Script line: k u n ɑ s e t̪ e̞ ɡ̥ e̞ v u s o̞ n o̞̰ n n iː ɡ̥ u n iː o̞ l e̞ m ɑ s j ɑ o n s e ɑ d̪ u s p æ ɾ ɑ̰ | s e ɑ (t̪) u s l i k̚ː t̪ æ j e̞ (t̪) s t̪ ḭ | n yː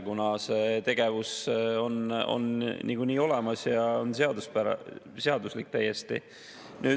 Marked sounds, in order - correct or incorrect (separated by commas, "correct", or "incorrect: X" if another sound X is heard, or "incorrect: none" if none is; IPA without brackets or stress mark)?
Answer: incorrect: d̪, incorrect: none